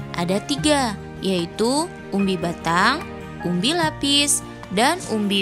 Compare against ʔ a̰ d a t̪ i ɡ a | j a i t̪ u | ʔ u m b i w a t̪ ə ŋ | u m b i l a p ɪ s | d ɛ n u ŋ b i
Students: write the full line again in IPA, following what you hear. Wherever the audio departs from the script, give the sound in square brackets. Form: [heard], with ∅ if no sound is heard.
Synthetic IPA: ʔ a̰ d a t̪ i ɡ a | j a i t̪ u | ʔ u m b i [b] a t̪ [a] ŋ | u m b i l a p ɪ s | d [a] n u [m] b i